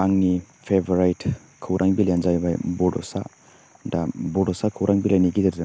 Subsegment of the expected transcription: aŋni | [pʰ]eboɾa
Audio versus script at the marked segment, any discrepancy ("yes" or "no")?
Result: no